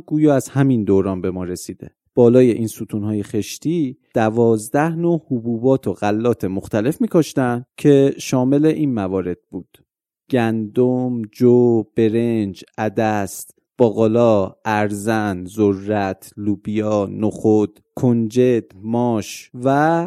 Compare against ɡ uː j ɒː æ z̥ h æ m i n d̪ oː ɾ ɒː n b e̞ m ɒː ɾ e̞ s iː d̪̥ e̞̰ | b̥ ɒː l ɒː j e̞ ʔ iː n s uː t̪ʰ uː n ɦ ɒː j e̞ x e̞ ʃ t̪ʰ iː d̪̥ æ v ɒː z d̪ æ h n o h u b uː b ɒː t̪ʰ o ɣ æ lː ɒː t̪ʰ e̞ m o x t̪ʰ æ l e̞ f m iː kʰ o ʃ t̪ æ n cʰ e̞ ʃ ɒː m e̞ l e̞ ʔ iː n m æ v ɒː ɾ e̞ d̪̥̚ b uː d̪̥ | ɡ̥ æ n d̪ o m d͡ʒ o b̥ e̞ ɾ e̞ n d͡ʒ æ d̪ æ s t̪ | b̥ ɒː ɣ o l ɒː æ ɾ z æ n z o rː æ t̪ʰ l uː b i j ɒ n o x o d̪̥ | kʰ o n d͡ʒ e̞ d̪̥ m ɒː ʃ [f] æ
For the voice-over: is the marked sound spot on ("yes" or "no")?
no